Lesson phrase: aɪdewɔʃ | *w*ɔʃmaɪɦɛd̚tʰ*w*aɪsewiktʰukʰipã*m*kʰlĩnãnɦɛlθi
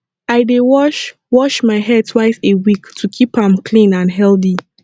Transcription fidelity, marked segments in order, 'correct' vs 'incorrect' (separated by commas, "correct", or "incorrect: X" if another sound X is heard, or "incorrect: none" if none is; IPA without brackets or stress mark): correct, correct, correct